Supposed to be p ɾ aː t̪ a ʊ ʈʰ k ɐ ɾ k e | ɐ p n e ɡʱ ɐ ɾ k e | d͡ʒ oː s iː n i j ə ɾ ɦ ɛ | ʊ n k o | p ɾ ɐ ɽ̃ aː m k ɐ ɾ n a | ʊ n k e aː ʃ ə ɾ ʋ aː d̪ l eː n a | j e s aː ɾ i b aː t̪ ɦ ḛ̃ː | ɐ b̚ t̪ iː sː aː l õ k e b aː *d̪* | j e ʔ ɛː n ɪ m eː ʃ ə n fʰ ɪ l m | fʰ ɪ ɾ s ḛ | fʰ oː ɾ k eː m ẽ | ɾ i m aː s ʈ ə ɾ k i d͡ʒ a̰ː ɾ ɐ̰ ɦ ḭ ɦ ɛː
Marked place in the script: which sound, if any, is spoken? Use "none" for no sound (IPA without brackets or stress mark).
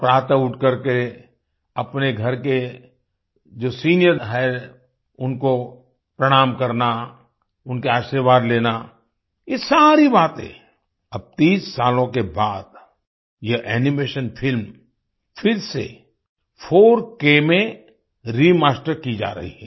d̪